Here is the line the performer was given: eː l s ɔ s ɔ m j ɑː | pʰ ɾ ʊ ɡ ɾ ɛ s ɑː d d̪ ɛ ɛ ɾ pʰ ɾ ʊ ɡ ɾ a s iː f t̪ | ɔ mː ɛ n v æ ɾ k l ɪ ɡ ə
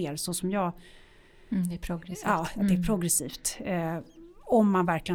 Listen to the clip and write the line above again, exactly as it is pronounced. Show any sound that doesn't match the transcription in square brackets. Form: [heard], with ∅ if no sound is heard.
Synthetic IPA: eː [ɾ] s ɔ s ɔ m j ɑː | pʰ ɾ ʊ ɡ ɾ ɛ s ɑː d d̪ ɛ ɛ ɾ pʰ ɾ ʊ ɡ ɾ [ɛ] s iː f t̪ | ɔ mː [a] n v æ ɾ k l ɪ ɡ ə